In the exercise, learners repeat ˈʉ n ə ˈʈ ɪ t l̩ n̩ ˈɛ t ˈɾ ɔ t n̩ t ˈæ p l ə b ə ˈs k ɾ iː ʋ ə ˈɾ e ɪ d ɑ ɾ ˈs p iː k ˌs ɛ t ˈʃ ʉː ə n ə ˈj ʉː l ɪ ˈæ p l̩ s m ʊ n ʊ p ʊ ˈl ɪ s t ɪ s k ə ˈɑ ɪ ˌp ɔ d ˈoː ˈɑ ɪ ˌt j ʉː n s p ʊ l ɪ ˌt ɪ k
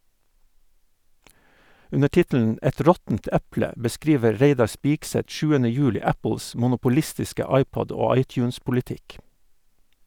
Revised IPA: ˈʉ n ə ˈʈ ɪ t l̩ n̩ ˈɛ t ˈɾ ɔ t n̩ t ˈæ p l ə b ə ˈs k ɾ iː ʋ ə ˈɾ e ɪ d ɑ ɾ ˈs p iː k ˌs ɛ t ˈʃ ʉː ə n ə ˈj ʉː l ɪ ˈæ p l̩ s m ʊ n ʊ p ʊ ˈl ɪ s t ɪ s k ə ˈɑ ɪ ˌp ɔ d ˈoː ˈɑ ɪ ˌt j ʉː n s p ʊ l ɪ ˌt ɪ k